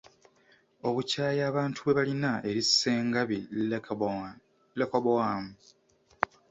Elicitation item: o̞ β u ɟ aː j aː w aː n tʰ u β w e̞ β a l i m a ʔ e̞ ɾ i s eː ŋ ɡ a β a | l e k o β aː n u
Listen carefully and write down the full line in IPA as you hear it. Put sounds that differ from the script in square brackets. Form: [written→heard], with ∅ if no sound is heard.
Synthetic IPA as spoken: o̞ β u [ɟ→c] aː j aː [w→β] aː n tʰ u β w e̞ β a l i [m→n] a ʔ e̞ ɾ i s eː ŋ ɡ a β [a→i] | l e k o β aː [n→m] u